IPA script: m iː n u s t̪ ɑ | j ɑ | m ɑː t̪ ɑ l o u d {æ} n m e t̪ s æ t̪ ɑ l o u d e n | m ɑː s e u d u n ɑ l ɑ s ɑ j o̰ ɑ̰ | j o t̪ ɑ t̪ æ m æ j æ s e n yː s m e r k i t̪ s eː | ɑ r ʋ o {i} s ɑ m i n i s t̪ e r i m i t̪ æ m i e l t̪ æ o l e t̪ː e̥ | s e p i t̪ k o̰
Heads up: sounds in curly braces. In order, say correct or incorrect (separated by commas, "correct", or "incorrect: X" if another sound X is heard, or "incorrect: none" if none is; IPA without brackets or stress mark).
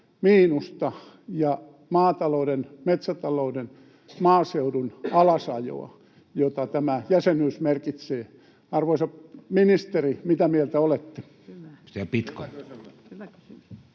incorrect: e, correct